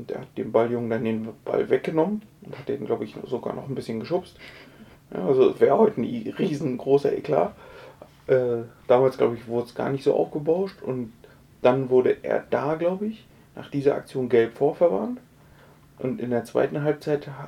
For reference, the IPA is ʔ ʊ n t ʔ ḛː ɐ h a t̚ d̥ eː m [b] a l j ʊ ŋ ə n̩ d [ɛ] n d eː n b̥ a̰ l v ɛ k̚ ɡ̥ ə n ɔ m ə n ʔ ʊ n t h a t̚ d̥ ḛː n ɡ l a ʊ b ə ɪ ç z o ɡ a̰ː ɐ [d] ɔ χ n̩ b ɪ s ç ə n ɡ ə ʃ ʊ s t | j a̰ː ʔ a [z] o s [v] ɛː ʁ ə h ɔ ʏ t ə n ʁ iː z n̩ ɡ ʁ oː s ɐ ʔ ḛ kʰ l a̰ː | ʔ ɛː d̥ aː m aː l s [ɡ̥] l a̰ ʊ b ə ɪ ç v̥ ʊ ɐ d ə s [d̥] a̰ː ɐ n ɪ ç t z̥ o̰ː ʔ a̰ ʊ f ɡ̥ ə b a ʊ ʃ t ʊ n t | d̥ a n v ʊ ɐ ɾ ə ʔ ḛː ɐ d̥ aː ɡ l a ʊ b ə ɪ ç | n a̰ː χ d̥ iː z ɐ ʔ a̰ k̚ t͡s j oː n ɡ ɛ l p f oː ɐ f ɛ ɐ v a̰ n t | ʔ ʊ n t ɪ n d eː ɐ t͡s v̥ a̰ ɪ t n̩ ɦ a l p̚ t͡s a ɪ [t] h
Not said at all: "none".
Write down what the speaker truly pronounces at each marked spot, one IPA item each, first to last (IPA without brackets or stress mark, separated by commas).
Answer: b, a, n, z, v, ɡ̥, ɡ̥, t